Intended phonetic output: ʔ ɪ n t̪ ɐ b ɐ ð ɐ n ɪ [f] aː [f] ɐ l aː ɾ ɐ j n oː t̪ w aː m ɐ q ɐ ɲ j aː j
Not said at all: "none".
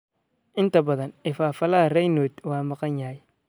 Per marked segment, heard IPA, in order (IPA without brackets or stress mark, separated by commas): f, f